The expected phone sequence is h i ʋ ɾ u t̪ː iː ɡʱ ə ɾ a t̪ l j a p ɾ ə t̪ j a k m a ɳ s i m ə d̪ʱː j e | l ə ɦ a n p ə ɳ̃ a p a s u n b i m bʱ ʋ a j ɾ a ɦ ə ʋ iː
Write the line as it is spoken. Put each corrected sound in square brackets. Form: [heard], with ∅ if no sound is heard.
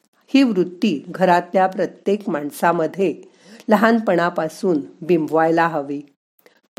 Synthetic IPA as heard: h [iː] ʋ ɾ u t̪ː iː ɡʱ ə ɾ a t̪ l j a p ɾ ə t̪ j [e] k m a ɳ s [a] m ə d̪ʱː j e | l ə ɦ a n p ə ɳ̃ a p a s [uː] n b i m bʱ ʋ a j [l] a ɦ ə ʋ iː